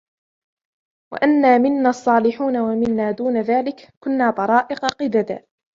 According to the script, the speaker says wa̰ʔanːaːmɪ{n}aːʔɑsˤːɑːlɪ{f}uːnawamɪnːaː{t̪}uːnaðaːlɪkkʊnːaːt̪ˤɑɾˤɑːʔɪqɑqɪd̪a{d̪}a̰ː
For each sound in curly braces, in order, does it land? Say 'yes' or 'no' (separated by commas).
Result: no, no, no, yes